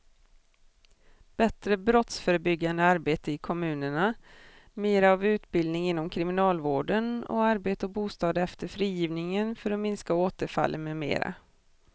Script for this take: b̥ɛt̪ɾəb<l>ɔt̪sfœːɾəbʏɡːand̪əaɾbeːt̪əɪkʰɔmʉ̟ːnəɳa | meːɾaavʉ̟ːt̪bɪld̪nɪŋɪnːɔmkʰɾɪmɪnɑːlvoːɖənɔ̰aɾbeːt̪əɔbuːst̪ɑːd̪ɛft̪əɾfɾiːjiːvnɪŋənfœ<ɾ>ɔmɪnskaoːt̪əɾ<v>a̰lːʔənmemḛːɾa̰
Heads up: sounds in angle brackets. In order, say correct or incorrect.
incorrect: ɾ, correct, incorrect: f

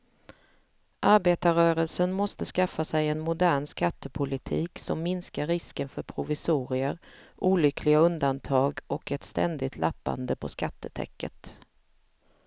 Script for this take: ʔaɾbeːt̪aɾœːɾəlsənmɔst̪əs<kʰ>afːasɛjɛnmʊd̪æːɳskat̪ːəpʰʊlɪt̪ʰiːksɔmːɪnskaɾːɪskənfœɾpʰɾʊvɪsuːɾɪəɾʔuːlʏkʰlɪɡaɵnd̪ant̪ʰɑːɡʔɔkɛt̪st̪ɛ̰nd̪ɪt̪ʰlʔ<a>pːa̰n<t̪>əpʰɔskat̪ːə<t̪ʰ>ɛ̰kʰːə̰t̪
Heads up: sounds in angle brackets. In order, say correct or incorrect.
incorrect: k, correct, incorrect: d̪, correct

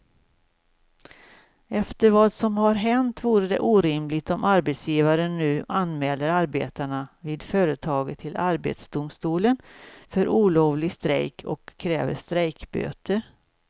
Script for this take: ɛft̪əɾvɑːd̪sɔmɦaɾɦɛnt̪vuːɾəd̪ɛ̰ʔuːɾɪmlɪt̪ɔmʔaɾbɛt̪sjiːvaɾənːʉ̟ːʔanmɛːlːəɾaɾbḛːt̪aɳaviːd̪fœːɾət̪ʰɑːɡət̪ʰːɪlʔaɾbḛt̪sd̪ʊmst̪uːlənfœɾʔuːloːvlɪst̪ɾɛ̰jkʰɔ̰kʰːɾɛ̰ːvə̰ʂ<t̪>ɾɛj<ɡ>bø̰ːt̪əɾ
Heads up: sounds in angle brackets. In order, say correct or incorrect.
correct, incorrect: k

